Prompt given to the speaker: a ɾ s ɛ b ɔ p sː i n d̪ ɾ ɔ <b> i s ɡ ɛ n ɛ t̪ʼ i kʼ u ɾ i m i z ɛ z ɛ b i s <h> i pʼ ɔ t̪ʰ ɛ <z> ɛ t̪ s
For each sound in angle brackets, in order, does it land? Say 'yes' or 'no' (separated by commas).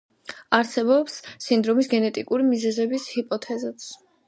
no, yes, yes